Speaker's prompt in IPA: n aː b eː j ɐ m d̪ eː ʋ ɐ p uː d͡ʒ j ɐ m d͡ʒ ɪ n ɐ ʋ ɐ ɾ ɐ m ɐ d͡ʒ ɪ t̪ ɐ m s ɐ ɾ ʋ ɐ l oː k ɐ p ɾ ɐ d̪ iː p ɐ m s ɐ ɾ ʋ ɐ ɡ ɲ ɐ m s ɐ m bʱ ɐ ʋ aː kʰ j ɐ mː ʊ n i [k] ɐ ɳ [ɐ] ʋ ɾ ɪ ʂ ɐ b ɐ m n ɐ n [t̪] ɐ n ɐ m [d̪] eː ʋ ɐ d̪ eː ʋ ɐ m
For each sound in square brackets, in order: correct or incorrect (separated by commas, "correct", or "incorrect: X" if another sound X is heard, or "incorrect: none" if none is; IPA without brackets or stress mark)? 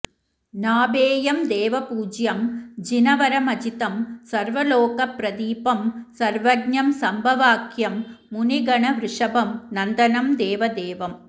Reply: incorrect: ɡ, correct, incorrect: d̪, correct